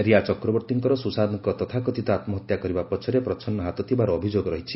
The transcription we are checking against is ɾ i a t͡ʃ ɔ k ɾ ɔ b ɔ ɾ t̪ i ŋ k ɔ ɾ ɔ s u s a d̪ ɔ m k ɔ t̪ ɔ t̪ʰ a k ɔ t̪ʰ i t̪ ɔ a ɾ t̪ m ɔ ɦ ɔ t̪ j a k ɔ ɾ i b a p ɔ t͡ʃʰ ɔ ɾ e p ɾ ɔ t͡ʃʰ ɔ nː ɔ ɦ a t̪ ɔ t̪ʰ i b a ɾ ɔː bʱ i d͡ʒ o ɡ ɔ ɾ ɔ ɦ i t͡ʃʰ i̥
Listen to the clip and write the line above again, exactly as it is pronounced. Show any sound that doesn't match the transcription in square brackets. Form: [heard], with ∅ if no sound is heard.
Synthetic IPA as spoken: ɾ i a t͡ʃ ɔ k ɾ ɔ b ɔ ɾ t̪ i ŋ k ɔ ɾ ɔ s u s a d̪ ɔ [ŋ] k ɔ t̪ ɔ t̪ʰ a k ɔ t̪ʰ i t̪ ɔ a [∅] t̪ m ɔ ɦ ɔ t̪ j a k ɔ ɾ i b a p ɔ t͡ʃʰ ɔ ɾ e p ɾ ɔ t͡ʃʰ ɔ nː ɔ ɦ a t̪ ɔ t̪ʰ i b a ɾ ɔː bʱ i d͡ʒ o ɡ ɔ ɾ ɔ ɦ i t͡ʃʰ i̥

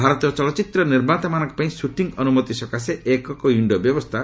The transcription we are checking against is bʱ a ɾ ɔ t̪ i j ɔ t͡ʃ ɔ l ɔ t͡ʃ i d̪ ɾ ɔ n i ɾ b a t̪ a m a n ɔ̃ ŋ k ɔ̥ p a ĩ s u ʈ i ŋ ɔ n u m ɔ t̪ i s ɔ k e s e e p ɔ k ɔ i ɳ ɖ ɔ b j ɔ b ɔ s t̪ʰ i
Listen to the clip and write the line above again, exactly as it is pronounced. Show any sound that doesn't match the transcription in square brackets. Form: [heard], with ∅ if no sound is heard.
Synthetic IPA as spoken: bʱ a ɾ ɔ t̪ i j ɔ t͡ʃ ɔ l ɔ t͡ʃ i [t̪] ɾ ɔ n i ɾ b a t̪ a m a n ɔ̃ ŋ k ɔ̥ p a ĩ s u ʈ i ŋ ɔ n u m ɔ t̪ i s ɔ k [a] s e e [k] ɔ k ɔ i ɳ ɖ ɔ b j ɔ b ɔ s t̪ʰ [a]

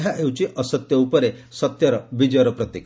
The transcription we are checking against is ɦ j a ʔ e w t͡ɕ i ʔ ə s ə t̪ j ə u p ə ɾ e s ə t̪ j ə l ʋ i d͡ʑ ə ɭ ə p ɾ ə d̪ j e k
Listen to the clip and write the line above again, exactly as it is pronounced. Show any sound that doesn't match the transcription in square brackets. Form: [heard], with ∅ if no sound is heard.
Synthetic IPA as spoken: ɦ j a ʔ e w t͡ɕ i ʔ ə s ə t̪ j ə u p ə ɾ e s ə t̪ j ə [ɾ] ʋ i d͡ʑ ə [ɾ] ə p ɾ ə [t̪] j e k

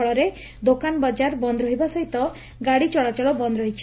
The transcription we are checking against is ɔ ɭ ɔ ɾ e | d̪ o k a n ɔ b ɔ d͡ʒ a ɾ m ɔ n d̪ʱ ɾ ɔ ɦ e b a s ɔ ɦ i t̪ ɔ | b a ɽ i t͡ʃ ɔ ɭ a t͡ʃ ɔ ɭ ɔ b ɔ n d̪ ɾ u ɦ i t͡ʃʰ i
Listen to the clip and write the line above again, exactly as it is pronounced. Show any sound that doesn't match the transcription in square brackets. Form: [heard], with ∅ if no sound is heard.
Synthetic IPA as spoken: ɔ ɭ ɔ ɾ e | d̪ o k a n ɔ b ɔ d͡ʒ a ɾ [b] ɔ n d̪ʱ ɾ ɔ ɦ [i] b a s ɔ ɦ i t̪ ɔ | [ɡ] a ɽ i t͡ʃ ɔ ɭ a t͡ʃ ɔ ɭ ɔ b ɔ n d̪ ɾ [ɔ] ɦ i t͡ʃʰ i

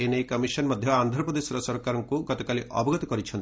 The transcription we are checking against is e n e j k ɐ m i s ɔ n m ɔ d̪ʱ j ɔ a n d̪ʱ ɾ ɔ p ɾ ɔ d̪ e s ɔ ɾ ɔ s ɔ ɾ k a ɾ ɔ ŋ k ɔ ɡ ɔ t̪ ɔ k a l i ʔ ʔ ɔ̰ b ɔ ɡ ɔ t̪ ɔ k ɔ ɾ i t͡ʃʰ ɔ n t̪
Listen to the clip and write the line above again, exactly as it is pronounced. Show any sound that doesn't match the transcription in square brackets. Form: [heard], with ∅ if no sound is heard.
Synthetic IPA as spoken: e n e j k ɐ m i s ɔ n m ɔ d̪ʱ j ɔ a n d̪ʱ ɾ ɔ p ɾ ɔ d̪ e s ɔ ɾ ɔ s ɔ ɾ k a ɾ ɔ ŋ k [u] ɡ ɔ t̪ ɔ k a l i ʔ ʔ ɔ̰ b ɔ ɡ ɔ t̪ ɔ k ɔ ɾ i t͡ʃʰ ɔ n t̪

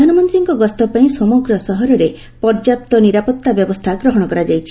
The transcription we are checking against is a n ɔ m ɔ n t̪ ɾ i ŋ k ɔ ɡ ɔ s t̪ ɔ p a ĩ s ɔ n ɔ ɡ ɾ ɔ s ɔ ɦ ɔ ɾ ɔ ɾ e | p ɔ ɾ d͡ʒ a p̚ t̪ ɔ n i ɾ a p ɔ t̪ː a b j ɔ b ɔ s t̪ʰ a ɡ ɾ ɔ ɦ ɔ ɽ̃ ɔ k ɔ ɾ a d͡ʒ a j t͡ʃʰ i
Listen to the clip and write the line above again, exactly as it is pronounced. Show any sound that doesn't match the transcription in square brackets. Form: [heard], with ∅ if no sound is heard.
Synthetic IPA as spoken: a n ɔ m ɔ n t̪ ɾ i ŋ k ɔ ɡ ɔ s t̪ ɔ p a ĩ s ɔ [m] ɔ ɡ ɾ ɔ s ɔ ɦ ɔ ɾ ɔ ɾ e | p ɔ ɾ d͡ʒ a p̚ t̪ ɔ n i ɾ a p ɔ t̪ː a b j ɔ b ɔ s t̪ʰ a ɡ ɾ ɔ ɦ ɔ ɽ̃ ɔ k ɔ ɾ a d͡ʒ a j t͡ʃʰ i

